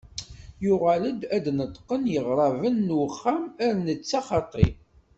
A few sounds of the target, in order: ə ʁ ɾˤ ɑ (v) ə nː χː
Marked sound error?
no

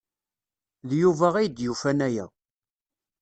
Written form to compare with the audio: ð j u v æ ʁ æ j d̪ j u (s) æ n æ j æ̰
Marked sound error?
yes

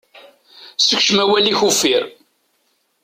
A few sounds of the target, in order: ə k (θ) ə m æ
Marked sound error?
yes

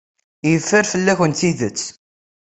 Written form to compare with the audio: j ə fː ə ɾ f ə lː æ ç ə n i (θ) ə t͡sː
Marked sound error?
yes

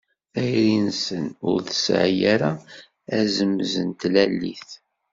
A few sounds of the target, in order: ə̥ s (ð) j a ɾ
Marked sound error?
yes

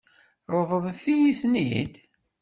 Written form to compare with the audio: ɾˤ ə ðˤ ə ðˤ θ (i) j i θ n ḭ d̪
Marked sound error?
no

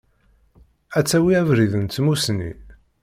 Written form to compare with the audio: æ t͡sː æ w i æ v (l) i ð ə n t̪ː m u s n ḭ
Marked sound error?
yes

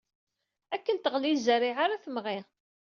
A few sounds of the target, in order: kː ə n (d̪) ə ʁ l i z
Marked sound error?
yes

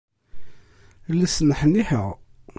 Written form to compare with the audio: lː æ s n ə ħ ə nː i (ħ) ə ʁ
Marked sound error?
no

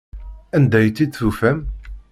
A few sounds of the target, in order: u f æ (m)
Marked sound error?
no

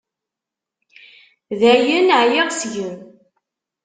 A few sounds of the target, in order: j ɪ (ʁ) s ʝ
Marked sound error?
no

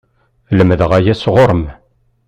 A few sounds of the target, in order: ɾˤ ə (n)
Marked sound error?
yes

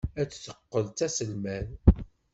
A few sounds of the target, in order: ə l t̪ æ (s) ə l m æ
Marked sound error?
no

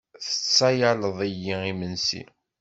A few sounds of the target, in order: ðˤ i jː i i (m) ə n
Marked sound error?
no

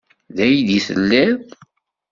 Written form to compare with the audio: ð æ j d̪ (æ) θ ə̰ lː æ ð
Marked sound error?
yes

